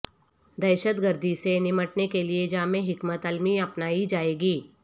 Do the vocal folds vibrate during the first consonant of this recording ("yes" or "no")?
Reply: yes